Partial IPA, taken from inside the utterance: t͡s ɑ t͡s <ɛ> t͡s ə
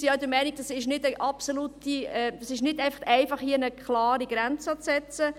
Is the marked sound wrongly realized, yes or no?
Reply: no